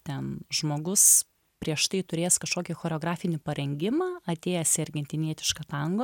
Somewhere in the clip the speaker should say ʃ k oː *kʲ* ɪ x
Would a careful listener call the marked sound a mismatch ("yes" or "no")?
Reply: no